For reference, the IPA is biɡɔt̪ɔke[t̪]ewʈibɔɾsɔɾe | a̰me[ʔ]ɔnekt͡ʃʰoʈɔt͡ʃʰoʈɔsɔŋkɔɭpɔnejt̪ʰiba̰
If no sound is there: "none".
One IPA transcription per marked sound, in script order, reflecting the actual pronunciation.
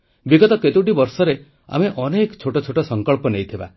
t̪, ʔ

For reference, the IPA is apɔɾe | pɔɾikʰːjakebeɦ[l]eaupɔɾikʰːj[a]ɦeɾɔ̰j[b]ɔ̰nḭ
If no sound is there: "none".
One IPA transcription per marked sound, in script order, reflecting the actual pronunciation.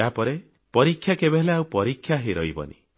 l, a, b

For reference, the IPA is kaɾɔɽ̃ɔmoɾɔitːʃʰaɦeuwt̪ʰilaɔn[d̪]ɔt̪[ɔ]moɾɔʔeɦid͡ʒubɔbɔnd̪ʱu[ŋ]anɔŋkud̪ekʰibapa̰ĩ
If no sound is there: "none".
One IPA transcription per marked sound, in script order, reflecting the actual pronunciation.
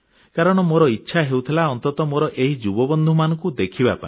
t̪, ɔ, m

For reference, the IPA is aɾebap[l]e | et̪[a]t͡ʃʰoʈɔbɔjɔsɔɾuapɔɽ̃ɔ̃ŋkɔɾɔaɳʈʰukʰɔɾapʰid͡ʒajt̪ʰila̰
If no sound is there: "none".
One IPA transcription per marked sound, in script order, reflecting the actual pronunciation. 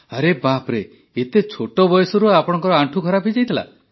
ɾ, e

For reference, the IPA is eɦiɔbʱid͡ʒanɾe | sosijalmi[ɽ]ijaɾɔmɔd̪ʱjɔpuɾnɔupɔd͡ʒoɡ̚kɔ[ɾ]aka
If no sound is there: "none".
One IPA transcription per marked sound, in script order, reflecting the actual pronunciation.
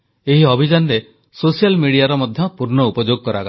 ɽ, ɾ

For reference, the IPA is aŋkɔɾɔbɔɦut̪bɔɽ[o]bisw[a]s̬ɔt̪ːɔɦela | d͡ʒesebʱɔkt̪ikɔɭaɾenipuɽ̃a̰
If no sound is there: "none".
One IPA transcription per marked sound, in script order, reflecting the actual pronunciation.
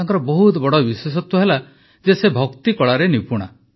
ɔ, e

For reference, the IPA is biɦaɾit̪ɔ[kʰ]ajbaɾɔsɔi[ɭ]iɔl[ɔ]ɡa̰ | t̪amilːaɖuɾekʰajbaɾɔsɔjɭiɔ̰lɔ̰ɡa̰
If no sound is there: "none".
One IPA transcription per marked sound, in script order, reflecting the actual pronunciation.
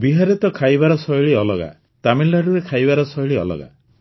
kʰ, ɭ, ɔ

